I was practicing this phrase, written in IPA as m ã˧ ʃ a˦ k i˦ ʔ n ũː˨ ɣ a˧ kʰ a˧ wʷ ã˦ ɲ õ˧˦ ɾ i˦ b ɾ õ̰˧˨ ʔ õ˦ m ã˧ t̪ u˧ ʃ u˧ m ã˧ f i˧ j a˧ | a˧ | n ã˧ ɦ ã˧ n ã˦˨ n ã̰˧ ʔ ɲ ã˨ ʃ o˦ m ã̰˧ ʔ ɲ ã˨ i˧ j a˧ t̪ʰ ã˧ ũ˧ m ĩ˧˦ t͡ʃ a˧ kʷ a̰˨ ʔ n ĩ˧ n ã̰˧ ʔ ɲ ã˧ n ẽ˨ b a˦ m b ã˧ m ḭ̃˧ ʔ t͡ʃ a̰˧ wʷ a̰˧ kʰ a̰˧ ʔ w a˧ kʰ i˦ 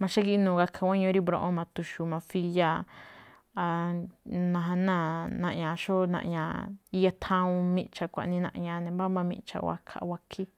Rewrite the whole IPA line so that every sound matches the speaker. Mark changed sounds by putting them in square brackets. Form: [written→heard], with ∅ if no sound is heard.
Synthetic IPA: m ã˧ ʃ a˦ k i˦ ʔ n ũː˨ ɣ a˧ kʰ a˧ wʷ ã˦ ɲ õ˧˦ ɾ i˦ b ɾ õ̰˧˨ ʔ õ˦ m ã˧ t̪ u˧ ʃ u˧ m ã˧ f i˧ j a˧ | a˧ | n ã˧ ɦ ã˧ n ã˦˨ n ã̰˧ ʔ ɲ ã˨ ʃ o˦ [m→n] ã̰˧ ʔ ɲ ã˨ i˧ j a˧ t̪ʰ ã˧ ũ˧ m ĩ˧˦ t͡ʃ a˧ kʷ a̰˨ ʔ n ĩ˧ n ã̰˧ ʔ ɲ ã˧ n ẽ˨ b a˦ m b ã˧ m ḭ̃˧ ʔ t͡ʃ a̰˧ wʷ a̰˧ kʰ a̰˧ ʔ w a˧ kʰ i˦